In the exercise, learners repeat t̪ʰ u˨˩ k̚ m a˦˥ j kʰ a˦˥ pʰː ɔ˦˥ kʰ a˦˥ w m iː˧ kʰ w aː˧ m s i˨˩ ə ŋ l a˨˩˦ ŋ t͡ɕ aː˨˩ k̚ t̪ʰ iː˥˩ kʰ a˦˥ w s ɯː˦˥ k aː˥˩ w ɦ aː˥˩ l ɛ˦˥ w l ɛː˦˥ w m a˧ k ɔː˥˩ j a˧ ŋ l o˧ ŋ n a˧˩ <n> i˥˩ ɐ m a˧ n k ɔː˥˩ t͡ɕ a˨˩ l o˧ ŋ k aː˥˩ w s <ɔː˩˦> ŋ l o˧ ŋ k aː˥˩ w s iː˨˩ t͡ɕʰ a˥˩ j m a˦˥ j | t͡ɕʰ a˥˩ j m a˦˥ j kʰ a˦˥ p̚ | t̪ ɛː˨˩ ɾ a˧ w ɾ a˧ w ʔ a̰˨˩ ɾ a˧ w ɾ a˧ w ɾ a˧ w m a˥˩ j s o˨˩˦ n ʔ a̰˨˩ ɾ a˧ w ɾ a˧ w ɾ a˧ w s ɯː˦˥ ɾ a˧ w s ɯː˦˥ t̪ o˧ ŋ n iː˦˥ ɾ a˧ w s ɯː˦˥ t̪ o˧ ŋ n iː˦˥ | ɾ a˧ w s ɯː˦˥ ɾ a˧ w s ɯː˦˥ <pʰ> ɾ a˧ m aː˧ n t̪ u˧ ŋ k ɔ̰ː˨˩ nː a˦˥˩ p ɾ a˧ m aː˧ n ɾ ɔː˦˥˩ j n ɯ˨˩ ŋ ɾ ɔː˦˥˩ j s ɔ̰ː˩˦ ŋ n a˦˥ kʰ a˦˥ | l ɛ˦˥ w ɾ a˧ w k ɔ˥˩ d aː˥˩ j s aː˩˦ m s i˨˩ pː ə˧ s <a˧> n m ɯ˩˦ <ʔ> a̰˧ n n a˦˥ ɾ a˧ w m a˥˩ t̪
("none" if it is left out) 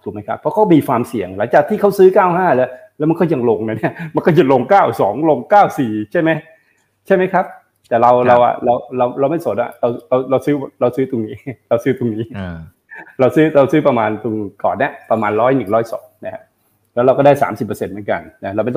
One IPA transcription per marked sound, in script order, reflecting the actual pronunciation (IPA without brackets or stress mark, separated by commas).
n, ɔː˩˦, p, e˧, k